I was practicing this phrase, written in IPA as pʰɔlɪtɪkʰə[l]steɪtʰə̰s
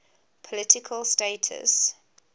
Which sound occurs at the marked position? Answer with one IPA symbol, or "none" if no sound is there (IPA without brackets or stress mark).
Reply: l